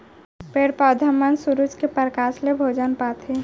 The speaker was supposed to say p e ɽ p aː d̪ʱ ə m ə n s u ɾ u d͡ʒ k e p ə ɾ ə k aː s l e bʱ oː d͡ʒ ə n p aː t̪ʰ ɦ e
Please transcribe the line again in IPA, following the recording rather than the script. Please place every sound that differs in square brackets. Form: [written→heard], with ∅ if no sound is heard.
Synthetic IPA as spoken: p e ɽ p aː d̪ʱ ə m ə n s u ɾ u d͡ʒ k e p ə ɾ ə k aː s l e bʱ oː d͡ʒ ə n p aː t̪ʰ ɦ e

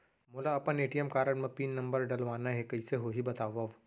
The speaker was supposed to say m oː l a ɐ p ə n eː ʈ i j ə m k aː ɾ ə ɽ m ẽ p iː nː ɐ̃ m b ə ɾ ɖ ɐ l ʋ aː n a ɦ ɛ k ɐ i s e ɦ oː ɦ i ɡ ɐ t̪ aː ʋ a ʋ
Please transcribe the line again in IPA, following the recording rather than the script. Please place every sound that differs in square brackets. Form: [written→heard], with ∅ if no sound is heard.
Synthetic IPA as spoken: m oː l a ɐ p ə n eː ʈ i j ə m k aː ɾ ə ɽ m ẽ p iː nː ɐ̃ m b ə ɾ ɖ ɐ l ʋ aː n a ɦ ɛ k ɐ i s e ɦ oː ɦ i [ɡ→b] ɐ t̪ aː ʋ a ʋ

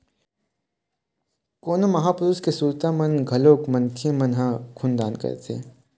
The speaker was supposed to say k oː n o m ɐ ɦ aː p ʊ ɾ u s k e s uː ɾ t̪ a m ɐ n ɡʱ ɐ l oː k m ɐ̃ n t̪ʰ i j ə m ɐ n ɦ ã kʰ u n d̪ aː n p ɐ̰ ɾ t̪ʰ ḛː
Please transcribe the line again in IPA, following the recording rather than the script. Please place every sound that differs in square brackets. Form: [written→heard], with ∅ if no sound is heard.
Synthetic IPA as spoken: k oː n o m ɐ ɦ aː p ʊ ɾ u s k e s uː ɾ t̪ a m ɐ n ɡʱ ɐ l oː k m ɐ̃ n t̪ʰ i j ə m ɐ n ɦ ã kʰ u n d̪ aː n [p→k] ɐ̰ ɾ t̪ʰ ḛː

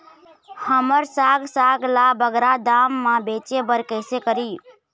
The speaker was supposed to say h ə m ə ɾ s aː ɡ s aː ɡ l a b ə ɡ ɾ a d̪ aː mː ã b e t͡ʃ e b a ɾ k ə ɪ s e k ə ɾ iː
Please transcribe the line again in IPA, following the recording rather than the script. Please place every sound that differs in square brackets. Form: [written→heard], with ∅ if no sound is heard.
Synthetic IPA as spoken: h ə m ə ɾ s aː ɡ s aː ɡ l a b ə ɡ ɾ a d̪ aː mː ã b e t͡ʃ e b [a→ə] ɾ k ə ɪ s e k ə ɾ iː

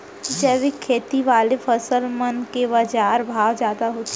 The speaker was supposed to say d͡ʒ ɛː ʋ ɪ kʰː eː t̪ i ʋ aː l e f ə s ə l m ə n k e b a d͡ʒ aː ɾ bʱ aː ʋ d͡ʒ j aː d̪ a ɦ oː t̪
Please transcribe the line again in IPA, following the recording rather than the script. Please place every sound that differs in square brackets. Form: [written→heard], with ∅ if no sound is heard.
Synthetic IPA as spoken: d͡ʒ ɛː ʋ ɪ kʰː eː t̪ i ʋ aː l e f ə s ə l m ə n k e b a d͡ʒ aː ɾ bʱ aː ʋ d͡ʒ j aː d̪ a ɦ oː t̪

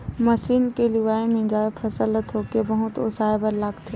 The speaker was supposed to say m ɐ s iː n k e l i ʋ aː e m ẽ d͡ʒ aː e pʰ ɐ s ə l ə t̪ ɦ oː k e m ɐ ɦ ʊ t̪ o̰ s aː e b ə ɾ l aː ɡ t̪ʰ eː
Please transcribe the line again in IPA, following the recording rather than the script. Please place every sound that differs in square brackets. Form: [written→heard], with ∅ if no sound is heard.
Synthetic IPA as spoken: m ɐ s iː n k e l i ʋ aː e m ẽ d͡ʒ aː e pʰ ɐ s ə l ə t̪ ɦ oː k e [m→b] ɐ ɦ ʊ t̪ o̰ s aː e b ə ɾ l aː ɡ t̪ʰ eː

